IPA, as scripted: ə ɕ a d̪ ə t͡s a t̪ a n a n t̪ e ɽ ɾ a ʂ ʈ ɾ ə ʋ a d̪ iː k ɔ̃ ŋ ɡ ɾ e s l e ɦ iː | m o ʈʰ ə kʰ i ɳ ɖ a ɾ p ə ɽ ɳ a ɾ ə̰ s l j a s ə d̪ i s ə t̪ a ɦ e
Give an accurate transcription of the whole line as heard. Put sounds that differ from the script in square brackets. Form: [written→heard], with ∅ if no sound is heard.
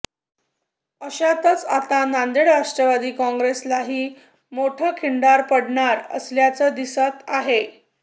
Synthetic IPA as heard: ə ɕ a [d̪→t̪] ə t͡s a t̪ a n a n [t̪→d̪] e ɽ ɾ a ʂ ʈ ɾ ə ʋ a d̪ iː k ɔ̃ ŋ ɡ ɾ e s l [e→a] ɦ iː | m o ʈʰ ə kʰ i ɳ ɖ a ɾ p ə ɽ ɳ a ɾ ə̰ s l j a [s→t͡s] ə d̪ i s ə t̪ a ɦ e